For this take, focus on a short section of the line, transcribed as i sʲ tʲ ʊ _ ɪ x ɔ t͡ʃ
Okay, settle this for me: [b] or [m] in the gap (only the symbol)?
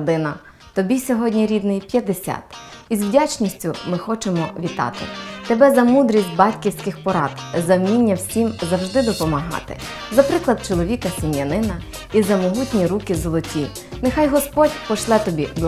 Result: m